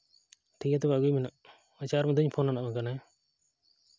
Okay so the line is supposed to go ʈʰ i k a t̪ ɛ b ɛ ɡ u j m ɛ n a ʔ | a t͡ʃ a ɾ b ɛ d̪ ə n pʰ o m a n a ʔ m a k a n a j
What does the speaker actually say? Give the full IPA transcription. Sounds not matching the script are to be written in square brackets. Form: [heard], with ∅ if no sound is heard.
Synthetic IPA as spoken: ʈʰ i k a t̪ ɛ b [a] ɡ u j m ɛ n a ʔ | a t͡ʃ a ɾ [m] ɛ d̪ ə [ɲ] pʰ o [n] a n a ʔ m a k a n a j